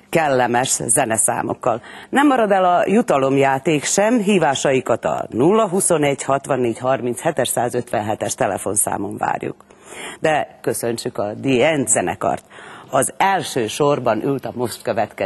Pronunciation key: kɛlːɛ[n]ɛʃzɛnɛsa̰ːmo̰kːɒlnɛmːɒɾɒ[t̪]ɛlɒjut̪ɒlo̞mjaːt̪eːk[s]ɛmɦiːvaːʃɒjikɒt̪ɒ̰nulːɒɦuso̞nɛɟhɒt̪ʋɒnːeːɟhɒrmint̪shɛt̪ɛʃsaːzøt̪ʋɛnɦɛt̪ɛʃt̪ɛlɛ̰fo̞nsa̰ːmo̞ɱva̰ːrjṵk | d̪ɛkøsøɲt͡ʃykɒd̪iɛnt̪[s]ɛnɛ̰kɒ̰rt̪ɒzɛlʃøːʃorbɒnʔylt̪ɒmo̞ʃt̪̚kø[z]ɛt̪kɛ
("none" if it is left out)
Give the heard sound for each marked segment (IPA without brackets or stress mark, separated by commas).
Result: m, d̪, ʃ, z, v